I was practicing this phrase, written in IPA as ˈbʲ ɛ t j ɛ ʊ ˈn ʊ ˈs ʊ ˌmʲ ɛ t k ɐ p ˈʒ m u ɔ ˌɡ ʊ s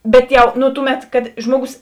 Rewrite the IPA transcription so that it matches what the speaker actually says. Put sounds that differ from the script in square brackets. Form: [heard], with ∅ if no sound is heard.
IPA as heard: ˈbʲ ɛ t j ɛ ʊ ˈn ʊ [ˈt] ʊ ˌmʲ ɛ t k ɐ [t] ˈʒ m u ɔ ˌɡ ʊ s